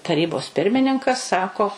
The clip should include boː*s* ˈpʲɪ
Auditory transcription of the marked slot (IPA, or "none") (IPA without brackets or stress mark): s